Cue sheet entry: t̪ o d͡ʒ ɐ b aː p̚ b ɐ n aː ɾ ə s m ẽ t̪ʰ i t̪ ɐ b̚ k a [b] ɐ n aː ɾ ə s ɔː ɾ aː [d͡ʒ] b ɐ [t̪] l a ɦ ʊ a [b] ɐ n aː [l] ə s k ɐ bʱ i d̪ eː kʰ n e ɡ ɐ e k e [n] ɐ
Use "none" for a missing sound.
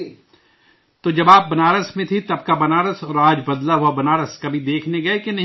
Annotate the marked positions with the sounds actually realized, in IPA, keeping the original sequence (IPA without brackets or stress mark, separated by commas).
b, d͡ʒ, d̪, b, ɾ, n